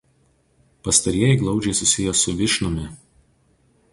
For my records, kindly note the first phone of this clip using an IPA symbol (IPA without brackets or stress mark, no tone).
p